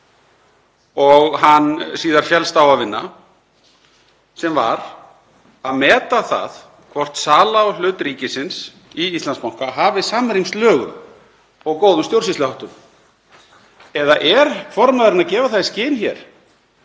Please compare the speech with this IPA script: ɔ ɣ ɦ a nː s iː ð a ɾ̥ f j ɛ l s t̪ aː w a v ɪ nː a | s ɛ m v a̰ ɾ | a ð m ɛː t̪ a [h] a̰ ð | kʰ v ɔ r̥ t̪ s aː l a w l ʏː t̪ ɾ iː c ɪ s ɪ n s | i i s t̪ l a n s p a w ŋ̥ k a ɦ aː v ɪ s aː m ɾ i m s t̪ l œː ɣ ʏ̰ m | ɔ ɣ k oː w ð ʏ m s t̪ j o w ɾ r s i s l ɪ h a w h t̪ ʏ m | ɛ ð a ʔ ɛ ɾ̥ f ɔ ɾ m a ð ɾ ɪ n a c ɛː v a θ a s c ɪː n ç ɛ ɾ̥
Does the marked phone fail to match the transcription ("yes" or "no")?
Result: yes